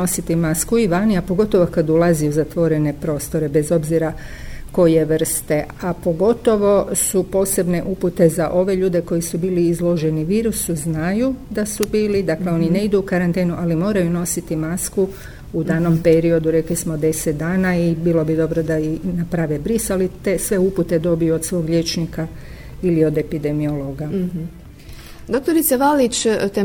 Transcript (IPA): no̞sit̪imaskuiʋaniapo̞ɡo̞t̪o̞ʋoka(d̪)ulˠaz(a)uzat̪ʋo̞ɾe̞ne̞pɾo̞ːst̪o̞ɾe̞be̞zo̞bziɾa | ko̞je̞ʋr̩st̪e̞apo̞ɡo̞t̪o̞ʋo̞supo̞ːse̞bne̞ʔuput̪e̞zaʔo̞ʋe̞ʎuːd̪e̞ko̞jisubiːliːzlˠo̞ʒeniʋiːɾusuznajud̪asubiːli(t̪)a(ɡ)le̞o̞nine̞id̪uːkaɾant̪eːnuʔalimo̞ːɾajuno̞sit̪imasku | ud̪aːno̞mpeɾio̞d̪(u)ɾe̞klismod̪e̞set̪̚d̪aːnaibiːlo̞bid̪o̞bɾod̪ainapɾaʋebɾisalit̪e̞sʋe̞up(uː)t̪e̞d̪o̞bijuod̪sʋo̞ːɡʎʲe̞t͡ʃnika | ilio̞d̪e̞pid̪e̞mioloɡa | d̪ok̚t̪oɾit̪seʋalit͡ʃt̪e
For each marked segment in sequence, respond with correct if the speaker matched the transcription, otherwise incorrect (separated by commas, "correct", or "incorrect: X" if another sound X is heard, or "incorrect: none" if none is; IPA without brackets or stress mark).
correct, incorrect: i, incorrect: d̪, incorrect: k, correct, incorrect: u